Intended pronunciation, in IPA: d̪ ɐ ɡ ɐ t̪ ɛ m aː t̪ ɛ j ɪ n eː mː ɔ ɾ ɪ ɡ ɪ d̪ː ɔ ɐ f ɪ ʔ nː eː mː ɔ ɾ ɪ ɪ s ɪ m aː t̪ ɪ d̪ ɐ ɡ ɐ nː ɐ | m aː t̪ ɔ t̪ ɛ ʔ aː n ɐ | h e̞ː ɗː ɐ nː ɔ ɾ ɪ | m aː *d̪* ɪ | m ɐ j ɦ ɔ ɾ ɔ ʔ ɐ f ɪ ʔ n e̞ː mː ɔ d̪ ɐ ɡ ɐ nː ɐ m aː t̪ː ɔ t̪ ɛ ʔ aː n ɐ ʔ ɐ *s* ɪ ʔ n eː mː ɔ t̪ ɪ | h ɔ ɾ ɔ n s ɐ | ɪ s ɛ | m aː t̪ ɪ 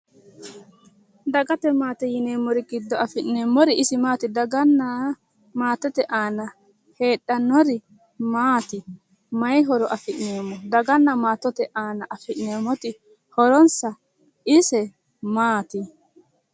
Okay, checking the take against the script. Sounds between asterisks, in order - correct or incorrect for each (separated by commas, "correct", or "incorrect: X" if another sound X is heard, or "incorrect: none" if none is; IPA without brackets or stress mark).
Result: incorrect: t̪, incorrect: f